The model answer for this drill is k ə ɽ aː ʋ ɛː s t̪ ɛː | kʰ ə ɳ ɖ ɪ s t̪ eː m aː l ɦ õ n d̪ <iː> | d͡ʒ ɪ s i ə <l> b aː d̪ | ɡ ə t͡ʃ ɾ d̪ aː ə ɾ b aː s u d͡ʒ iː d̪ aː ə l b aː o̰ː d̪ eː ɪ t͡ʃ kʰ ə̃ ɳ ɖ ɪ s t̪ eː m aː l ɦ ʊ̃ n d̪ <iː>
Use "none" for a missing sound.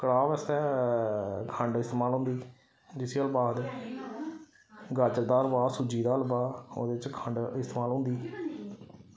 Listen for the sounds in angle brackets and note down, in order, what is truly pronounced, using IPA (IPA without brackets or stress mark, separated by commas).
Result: iː, l, iː